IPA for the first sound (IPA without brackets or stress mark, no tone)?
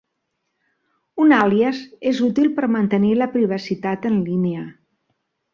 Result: u